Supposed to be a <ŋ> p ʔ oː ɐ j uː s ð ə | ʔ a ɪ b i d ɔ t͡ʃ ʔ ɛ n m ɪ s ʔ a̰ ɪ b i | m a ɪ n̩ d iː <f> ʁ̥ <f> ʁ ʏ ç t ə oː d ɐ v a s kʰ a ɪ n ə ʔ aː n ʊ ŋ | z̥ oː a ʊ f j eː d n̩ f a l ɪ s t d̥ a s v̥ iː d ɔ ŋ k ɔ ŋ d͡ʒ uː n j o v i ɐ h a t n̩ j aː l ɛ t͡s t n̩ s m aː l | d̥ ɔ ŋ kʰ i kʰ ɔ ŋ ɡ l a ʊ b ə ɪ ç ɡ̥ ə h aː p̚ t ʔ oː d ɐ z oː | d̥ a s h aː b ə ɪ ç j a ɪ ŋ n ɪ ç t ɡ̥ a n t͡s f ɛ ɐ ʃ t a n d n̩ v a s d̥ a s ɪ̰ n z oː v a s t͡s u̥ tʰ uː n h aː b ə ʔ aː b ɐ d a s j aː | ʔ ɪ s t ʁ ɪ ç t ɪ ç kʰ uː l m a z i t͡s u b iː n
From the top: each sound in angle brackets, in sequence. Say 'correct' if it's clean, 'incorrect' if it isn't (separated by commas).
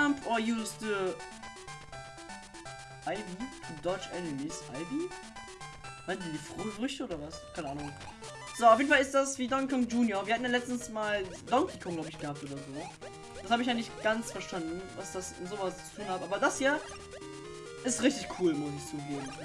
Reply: incorrect, correct, correct